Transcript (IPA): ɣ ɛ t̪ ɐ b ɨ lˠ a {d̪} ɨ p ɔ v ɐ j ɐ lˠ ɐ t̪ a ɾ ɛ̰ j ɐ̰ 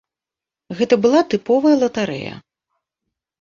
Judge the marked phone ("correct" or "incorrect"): incorrect